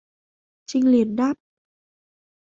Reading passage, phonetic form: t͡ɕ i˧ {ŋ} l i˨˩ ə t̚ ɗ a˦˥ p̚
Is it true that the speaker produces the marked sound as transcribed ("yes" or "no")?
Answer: yes